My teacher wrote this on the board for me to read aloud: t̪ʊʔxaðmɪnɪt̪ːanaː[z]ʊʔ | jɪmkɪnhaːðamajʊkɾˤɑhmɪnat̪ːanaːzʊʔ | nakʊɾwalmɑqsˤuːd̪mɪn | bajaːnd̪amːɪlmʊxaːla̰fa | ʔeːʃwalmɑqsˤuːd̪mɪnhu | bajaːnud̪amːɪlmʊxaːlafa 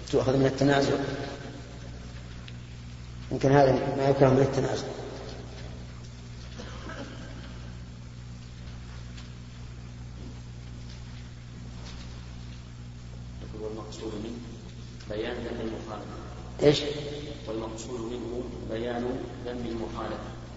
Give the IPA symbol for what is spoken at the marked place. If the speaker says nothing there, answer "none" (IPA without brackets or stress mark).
z